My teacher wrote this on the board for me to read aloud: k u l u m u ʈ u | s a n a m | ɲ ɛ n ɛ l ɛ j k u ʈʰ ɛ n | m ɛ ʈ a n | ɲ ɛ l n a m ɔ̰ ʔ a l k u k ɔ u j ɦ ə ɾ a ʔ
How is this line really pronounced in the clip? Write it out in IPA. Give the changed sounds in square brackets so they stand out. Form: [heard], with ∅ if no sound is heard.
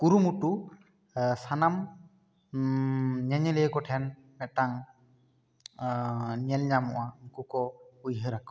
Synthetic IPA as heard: k u [ɾ] u m u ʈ u | s a n a m | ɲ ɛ [ɲ] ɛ l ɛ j k [ɔ] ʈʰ ɛ n | m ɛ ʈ a [ŋ] | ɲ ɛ l [ɲ] a m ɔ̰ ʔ a [∅] k u k ɔ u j ɦ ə ɾ a [k]